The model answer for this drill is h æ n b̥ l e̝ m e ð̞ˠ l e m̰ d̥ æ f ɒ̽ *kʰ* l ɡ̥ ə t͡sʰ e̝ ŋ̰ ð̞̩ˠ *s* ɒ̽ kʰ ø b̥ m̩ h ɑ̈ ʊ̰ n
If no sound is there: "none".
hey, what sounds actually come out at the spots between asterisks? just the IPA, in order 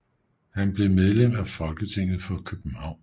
none, f

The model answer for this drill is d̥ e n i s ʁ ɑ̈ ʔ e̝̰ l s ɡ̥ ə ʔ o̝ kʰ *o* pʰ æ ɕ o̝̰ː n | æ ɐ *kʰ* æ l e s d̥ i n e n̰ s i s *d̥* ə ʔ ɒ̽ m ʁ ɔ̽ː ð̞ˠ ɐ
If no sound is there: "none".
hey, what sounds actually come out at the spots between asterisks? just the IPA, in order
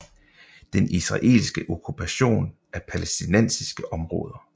u, pʰ, ɡ̥

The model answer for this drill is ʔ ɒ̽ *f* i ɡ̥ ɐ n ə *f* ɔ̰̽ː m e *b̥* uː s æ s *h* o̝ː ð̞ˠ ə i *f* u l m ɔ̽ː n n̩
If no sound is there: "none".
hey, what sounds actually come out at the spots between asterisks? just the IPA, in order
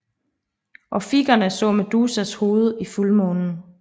f, s, d̥, h, f

